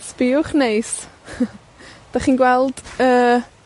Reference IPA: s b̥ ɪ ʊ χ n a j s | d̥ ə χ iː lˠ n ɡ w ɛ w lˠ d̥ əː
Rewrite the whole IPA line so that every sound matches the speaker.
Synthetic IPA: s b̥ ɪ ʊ χ n e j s | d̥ a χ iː n ɡ w ɛ lˠ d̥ əː